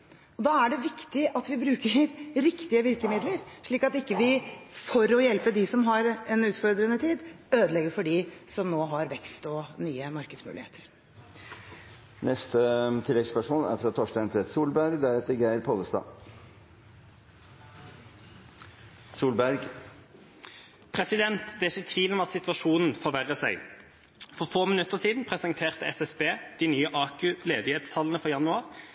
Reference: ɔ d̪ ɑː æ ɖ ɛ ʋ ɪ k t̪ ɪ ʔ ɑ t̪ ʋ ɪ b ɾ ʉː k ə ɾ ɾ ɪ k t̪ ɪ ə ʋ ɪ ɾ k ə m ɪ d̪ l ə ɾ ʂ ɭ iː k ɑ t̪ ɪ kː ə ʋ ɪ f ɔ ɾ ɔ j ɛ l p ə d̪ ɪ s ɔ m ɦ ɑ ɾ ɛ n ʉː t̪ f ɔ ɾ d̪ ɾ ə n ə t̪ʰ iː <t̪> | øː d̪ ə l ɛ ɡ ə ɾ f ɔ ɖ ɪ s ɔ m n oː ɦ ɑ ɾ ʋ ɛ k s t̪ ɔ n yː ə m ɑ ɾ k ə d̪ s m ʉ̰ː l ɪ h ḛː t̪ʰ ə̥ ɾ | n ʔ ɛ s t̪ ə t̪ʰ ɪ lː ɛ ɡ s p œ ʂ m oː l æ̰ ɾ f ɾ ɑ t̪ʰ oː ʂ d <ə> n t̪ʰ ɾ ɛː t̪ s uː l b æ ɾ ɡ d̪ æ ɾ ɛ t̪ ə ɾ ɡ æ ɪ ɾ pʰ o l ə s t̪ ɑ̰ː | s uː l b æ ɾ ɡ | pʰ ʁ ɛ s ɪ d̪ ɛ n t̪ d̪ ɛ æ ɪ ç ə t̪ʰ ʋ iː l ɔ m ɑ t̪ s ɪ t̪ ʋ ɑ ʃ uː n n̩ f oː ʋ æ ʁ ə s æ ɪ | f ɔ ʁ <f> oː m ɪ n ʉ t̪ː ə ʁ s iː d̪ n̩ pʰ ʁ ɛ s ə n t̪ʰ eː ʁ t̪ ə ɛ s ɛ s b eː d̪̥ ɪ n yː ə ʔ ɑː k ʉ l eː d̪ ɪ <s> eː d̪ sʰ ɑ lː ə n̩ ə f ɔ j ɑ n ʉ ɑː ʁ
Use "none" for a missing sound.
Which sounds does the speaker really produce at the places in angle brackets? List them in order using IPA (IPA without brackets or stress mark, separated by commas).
d̪, ɑ, f, h